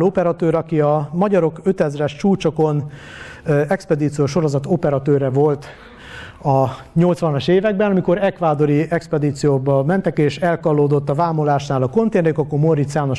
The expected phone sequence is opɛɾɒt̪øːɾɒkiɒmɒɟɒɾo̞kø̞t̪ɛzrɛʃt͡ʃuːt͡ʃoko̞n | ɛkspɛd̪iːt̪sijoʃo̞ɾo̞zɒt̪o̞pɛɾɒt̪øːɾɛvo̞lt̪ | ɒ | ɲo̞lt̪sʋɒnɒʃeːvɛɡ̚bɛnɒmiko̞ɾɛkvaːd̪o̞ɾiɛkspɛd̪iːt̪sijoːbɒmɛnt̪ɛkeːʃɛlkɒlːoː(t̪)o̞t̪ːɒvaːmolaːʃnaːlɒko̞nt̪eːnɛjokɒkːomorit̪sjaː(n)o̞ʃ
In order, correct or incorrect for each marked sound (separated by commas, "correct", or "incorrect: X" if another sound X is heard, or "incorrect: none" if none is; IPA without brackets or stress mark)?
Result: incorrect: d̪, correct